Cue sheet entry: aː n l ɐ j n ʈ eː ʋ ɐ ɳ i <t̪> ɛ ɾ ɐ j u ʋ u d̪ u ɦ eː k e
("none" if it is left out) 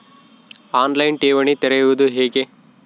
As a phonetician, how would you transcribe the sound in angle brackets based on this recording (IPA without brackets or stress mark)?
t̪